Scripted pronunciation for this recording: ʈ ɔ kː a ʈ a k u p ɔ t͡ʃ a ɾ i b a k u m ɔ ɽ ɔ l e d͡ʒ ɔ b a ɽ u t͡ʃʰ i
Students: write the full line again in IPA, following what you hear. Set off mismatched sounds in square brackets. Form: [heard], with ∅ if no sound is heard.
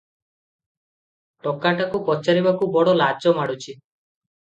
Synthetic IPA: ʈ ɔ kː a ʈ a k u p ɔ t͡ʃ a ɾ i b a k u [b] ɔ ɽ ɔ l [a] d͡ʒ ɔ [m] a ɽ u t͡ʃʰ i